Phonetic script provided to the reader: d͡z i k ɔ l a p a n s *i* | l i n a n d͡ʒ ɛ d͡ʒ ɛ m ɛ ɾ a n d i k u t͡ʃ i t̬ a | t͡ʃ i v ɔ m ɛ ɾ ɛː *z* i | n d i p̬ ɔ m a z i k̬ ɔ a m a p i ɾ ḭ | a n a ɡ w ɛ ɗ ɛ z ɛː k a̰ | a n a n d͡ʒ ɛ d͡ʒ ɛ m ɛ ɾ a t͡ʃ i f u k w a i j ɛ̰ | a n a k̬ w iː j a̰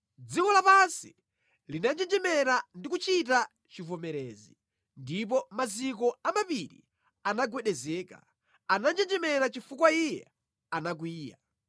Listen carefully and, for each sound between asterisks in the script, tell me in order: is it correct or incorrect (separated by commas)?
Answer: correct, correct